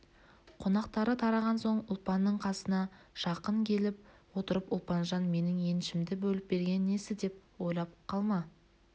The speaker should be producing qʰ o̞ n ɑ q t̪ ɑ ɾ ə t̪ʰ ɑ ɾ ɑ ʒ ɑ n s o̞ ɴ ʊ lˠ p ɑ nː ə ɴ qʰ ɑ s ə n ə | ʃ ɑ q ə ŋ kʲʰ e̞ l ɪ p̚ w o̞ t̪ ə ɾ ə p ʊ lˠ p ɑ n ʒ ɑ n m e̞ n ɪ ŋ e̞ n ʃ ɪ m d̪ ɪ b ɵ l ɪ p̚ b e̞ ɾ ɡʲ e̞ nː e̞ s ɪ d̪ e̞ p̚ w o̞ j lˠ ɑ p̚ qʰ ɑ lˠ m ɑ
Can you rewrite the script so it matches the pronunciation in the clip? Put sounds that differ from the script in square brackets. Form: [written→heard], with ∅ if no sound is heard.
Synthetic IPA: qʰ o̞ n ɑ q t̪ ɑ ɾ ə t̪ʰ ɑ ɾ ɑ [ʒ→ʁ] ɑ n s o̞ ɴ ʊ lˠ p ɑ nː ə ɴ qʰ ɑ s ə n [ə→ɑ] | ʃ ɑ q ə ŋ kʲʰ e̞ l ɪ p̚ w o̞ t̪ ə ɾ ə p ʊ lˠ p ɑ n ʒ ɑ n m e̞ n ɪ ŋ e̞ n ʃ ɪ m d̪ ɪ b ɵ l ɪ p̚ b e̞ ɾ ɡʲ e̞ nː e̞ s ɪ d̪ e̞ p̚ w o̞ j lˠ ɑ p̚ qʰ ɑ lˠ m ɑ